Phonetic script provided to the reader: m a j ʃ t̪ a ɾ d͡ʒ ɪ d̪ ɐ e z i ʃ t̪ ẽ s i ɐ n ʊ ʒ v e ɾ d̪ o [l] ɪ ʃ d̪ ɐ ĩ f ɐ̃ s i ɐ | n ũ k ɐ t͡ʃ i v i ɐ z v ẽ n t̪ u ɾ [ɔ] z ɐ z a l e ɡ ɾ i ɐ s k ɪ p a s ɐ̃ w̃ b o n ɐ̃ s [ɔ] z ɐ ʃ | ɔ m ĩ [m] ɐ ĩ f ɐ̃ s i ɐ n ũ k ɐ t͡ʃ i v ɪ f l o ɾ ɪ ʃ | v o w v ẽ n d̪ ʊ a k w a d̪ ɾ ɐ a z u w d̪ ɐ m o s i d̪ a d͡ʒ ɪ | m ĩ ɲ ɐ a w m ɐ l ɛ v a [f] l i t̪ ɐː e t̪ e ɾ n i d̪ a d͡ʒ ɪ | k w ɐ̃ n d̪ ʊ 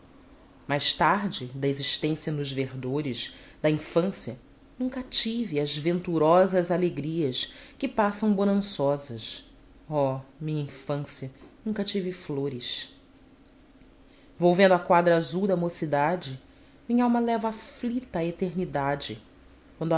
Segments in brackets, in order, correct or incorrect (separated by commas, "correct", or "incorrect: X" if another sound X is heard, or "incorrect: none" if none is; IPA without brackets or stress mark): incorrect: ɾ, correct, correct, incorrect: ɲ, correct